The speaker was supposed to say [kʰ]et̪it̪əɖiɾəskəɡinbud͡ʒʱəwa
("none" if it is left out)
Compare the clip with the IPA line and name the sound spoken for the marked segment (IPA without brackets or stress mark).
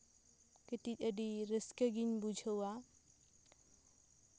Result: k